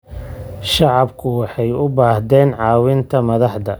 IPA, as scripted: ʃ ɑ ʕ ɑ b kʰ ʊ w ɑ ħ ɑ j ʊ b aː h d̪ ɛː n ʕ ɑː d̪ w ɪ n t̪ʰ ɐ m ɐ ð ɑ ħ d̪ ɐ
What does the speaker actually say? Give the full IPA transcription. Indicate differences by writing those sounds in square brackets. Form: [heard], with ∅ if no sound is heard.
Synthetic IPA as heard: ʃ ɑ ʕ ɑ b kʰ ʊ w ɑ ħ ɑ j ʊ b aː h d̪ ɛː n ʕ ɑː [∅] w ɪ n t̪ʰ ɐ m ɐ ð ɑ ħ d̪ ɐ